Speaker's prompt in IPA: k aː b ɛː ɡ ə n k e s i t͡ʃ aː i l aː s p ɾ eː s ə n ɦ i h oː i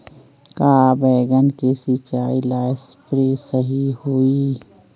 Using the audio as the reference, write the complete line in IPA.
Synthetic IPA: k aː b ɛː ɡ ə n k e s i t͡ʃ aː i l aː s p ɾ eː s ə ɦ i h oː i